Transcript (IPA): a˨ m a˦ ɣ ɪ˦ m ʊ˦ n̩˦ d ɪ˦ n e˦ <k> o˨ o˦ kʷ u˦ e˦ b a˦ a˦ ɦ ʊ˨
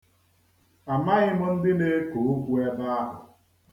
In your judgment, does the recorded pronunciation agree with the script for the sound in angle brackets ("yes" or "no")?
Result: yes